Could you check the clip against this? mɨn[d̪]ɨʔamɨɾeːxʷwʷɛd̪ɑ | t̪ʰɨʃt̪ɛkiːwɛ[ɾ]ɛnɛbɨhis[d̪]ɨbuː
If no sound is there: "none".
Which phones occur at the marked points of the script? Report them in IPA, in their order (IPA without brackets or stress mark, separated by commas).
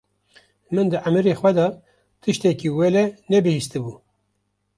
d̪, l, t̪